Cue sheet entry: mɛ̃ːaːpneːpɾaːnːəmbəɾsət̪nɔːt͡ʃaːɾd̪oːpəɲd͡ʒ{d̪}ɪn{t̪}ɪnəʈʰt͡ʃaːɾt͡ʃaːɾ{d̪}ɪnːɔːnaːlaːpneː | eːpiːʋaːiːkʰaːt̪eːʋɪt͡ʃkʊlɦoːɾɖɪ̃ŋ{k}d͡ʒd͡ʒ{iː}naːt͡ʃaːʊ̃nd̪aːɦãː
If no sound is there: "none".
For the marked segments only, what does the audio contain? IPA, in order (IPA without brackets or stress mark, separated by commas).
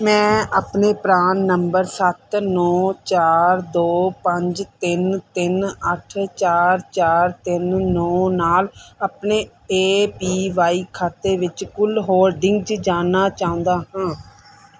t̪, t̪, t̪, ɡ, aː